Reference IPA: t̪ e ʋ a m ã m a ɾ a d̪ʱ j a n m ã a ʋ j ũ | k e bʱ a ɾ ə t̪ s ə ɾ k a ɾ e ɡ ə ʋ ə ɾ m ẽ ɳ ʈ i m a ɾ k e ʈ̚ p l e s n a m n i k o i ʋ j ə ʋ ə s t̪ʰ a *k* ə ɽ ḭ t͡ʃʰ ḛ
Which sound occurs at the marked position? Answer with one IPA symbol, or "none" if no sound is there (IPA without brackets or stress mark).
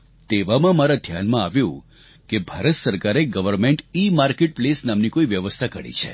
k